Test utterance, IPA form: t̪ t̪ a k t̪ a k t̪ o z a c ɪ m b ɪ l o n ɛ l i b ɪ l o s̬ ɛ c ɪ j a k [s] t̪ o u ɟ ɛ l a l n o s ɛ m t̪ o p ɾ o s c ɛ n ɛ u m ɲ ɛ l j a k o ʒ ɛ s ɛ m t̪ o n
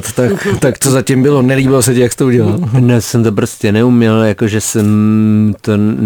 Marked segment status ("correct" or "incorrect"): correct